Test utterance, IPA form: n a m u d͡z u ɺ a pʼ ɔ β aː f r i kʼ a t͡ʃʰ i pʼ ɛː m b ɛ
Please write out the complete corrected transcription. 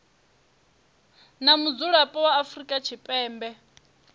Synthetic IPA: n a m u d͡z u ɺ a pʼ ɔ w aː f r i kʼ a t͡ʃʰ i pʼ ɛː m b ɛ